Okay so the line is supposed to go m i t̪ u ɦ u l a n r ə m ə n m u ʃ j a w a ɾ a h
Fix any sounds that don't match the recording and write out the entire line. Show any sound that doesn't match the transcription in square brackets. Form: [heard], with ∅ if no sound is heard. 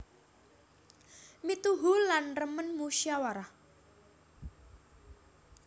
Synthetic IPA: m i t̪ u ɦ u l a n r ə m ə n m u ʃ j a w a ɾ a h